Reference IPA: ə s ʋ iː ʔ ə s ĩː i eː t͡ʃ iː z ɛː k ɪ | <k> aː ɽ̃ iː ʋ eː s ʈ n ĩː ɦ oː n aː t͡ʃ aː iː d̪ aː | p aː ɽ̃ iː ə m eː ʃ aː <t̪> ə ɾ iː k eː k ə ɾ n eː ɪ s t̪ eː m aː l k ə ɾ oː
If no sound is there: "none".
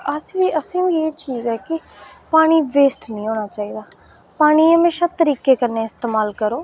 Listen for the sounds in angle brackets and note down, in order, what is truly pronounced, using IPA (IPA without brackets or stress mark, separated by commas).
p, t̪